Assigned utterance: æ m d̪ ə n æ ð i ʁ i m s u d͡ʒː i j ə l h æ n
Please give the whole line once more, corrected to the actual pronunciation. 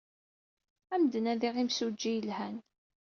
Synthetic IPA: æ m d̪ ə n æ ð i ʁ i m s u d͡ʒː i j ə l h æ n

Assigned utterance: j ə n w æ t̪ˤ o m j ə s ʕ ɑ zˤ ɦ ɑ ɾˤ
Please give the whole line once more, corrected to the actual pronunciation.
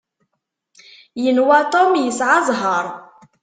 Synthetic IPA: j ə n w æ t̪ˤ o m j ə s ʕ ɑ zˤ ɦ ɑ ɾˤ

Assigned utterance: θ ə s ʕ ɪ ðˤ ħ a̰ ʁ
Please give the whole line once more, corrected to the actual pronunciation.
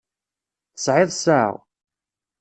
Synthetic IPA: θ ə s ʕ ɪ ðˤ s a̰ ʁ

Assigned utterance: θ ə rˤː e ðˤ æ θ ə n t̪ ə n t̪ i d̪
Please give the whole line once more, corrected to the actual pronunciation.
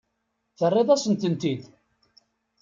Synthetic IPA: θ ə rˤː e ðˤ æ s ə n t̪ ə n t̪ i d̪

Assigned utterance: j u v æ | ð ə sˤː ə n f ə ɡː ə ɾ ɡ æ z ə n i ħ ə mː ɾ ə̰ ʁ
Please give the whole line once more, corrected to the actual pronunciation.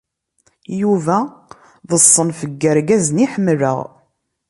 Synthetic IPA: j u v æ | ð ə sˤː ə n f ə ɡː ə ɾ ɡ æ z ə n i ħ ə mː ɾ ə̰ ʁ

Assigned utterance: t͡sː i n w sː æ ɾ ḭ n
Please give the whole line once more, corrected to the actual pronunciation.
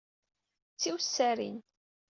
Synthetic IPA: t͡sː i w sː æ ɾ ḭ n

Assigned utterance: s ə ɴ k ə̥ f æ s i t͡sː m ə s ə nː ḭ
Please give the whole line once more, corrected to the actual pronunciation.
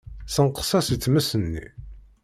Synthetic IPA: s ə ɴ q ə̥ s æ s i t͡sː m ə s ə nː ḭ

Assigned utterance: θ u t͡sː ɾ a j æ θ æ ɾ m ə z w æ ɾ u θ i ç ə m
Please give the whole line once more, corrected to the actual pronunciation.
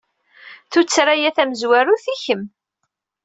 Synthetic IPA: θ u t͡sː ɾ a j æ θ æ m ə z w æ ɾ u θ i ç ə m

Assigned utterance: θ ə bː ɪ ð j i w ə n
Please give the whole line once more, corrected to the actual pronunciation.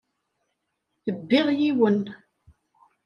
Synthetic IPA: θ ə bː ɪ ʁ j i w ə n

